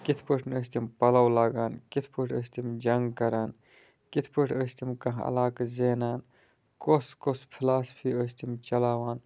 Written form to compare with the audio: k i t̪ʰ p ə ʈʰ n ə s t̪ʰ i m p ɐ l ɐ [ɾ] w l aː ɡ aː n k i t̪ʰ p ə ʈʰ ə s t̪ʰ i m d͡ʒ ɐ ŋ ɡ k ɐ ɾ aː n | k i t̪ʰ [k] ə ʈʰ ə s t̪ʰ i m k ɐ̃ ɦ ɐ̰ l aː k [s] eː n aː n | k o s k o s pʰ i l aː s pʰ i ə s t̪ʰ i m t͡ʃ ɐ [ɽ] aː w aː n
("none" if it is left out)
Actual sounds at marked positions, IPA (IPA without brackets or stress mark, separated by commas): none, p, z, l